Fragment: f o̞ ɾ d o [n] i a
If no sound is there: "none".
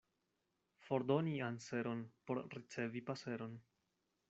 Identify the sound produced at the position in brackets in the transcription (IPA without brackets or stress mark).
n